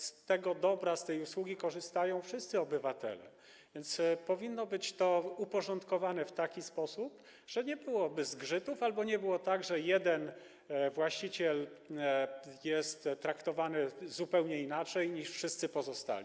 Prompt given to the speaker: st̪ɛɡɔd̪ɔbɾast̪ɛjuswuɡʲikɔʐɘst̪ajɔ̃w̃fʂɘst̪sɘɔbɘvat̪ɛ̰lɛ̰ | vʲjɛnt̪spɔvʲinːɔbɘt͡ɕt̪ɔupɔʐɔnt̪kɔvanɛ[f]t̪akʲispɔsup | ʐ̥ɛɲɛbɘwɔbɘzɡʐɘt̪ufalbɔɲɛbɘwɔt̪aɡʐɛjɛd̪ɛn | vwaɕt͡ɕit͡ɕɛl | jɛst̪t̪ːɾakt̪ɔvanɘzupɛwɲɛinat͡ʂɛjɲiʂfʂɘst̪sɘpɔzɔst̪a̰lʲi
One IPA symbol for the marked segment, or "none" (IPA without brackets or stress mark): f